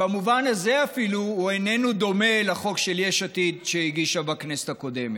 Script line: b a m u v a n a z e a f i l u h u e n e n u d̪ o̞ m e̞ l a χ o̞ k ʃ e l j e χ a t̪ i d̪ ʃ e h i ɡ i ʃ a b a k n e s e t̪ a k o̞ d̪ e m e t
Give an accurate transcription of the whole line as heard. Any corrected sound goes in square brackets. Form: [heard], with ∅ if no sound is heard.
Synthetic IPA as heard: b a m u v a n a z e a f i l u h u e n e n u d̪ o̞ m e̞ l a χ o̞ k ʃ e l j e [ʃ] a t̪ i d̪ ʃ e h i ɡ i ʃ a b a k n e s e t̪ a k o̞ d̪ e m e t